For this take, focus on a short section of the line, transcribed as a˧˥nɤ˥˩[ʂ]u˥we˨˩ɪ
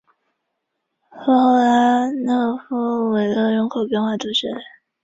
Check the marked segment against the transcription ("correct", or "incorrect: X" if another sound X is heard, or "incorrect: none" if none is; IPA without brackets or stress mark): incorrect: f